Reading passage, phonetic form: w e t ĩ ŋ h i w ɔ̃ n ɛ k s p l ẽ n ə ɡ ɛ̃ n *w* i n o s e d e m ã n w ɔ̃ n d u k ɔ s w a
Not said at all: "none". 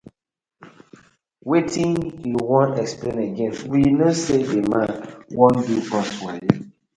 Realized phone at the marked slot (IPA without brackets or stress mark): w